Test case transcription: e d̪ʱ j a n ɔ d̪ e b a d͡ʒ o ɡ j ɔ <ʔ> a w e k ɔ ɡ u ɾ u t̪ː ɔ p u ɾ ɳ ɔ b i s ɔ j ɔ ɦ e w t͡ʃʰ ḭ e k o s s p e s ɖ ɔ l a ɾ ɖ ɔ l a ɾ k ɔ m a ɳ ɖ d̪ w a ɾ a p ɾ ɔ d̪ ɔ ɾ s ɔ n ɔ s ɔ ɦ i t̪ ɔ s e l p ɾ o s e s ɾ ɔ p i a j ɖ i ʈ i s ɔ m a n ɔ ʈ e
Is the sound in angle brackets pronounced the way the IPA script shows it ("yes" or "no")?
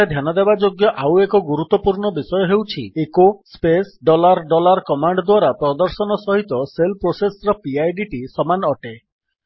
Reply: yes